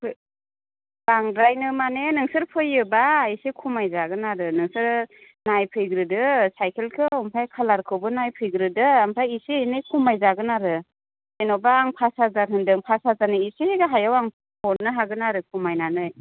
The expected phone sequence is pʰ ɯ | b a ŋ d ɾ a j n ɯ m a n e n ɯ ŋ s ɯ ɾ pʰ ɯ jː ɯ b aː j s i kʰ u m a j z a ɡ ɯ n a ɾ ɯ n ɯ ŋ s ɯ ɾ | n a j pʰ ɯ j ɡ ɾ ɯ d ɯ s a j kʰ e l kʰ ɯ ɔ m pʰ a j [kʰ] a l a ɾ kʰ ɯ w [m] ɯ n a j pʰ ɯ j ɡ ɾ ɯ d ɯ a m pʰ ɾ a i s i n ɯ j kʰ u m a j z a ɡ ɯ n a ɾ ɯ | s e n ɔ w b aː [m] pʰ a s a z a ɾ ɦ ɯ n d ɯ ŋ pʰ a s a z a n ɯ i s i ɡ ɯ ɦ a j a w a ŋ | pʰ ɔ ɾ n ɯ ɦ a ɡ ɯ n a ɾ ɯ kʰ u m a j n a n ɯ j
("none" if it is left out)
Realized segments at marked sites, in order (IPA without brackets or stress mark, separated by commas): kʰ, b, ŋ